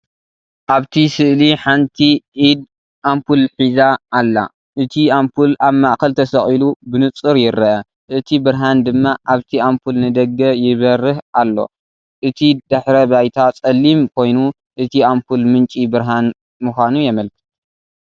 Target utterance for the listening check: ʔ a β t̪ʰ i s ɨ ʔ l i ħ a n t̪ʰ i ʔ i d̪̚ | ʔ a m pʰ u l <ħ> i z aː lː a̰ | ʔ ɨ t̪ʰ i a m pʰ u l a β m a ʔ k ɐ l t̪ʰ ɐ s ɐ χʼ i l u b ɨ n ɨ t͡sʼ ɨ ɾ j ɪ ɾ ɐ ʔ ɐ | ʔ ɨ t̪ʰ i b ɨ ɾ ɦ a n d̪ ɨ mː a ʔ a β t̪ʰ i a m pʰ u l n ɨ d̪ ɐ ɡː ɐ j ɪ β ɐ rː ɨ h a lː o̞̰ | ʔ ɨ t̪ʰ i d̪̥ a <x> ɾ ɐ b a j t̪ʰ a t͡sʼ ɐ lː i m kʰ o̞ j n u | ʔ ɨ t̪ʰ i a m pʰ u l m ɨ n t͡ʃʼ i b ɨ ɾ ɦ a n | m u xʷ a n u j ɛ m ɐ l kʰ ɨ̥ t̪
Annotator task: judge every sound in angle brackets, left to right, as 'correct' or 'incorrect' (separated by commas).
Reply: correct, incorrect